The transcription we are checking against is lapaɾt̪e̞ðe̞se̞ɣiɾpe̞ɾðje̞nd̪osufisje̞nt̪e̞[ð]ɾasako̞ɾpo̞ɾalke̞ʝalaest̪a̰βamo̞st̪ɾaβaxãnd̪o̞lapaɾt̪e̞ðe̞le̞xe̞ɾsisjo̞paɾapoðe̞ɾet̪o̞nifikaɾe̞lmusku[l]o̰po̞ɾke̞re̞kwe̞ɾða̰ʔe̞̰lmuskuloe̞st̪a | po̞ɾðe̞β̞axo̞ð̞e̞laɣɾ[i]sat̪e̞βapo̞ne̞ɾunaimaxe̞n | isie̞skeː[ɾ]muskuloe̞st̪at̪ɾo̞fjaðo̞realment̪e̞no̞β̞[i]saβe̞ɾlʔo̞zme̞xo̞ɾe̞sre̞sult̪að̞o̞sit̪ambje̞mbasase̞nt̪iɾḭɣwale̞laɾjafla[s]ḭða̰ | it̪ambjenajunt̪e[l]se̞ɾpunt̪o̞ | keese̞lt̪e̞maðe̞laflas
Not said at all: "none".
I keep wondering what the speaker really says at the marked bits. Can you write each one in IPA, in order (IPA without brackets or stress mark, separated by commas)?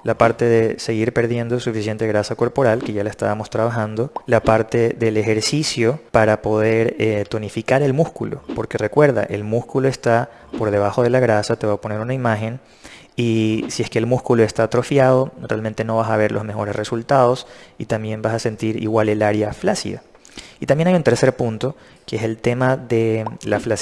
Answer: ɣ, l, a, l, a, s, ɾ